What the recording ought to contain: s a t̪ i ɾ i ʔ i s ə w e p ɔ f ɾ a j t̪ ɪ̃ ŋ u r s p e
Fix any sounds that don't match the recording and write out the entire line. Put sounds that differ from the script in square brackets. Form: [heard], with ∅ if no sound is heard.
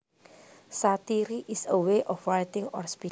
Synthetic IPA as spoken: s a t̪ i ɾ i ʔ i s ə w e [ʔ] ɔ f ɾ a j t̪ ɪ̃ ŋ [ɔ] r s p [i]